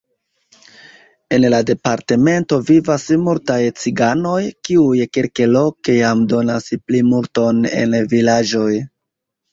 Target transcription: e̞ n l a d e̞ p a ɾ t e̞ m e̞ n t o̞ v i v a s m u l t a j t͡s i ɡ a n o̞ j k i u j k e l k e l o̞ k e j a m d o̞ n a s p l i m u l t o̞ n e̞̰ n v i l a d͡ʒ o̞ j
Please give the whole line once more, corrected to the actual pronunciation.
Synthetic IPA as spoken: e̞ n l a d e̞ p a ɾ t e̞ m e̞ n t o̞ v i v a s m u l t a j t͡s i ɡ a n o̞ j k i u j k e l k e l o̞ k e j a m d o̞ n a s p l i m u l t o̞ n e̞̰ n v i l a d͡ʒ o̞ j